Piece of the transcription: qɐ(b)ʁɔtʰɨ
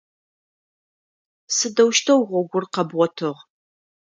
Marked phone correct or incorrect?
correct